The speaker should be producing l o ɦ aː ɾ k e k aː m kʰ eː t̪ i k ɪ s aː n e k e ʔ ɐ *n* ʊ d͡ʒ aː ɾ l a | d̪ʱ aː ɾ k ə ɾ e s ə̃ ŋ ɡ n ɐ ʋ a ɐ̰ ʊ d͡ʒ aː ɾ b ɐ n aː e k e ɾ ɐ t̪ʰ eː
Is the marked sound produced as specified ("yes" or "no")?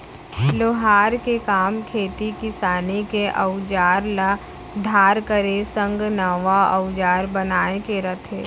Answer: no